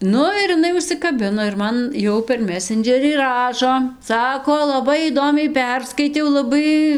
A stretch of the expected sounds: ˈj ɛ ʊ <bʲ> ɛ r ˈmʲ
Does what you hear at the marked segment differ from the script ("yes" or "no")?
yes